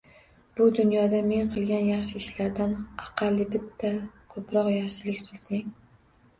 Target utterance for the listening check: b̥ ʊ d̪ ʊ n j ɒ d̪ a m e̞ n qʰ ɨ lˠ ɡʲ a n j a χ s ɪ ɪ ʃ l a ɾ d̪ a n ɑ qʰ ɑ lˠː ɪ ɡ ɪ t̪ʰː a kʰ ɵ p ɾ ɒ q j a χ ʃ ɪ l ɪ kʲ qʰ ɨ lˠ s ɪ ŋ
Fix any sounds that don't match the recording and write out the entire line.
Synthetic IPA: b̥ ʊ d̪ ʊ n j ɒ d̪ a m e̞ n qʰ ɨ lˠ ɡʲ a n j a χ ʃ ɪ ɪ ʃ l a ɾ d̪ a n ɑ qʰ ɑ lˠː ɪ b ɪ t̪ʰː a kʰ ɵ p ɾ ɒ q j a χ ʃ ɪ l ɪ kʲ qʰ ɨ lˠ s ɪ ŋ